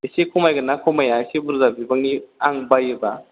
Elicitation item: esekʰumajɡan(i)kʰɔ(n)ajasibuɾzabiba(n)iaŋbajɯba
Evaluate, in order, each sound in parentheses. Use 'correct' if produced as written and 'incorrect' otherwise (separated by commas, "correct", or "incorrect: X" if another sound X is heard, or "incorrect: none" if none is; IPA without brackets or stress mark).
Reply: incorrect: a, incorrect: m, incorrect: ŋ